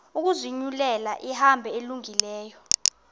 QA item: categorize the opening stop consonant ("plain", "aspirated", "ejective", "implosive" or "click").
plain